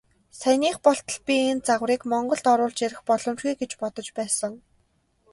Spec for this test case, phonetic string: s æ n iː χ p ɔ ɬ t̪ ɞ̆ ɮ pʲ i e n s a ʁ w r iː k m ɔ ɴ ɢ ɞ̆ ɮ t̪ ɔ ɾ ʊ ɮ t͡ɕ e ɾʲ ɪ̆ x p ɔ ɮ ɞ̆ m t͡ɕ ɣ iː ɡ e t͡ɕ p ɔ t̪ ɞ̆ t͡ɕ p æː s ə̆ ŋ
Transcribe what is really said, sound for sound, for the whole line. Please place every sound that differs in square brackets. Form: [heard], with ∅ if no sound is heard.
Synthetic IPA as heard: s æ n iː χ p ɔ ɬ t̪ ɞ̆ ɮ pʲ i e n [t͡s] a ʁ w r iː k m ɔ ɴ ɢ ɞ̆ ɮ t̪ ɔ ɾ [ʊː] ɮ t͡ɕ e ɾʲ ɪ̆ x p ɔ ɮ ɞ̆ m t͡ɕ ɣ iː ɡ e t͡ɕ p ɔ t̪ ɞ̆ t͡ɕ p æː s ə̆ ŋ